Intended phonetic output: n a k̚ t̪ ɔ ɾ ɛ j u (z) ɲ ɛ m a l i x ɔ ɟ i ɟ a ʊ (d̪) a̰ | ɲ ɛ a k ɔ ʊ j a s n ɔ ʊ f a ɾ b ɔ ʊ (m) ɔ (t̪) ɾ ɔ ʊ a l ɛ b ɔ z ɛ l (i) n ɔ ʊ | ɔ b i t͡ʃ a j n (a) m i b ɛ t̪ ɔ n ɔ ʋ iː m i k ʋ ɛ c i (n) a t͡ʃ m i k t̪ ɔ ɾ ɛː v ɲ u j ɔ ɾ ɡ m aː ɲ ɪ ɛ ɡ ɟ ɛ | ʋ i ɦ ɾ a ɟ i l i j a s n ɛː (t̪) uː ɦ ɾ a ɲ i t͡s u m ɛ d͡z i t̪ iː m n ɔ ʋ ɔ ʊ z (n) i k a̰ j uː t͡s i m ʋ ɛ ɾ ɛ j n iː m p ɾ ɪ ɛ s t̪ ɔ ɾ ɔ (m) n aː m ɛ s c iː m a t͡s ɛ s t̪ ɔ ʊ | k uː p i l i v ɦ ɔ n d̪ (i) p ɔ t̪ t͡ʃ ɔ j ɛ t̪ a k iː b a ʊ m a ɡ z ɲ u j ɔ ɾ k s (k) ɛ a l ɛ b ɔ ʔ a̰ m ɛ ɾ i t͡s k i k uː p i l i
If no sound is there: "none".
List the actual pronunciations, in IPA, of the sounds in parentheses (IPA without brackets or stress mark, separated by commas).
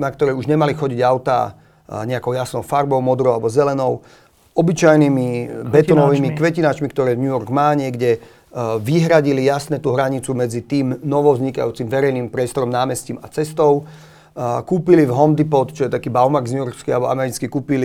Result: ʒ, t̪, m, d̪, ɛ, i, n, t̪, ɲ, m, i, k